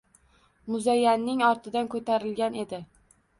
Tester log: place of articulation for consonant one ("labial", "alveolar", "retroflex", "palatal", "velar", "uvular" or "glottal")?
labial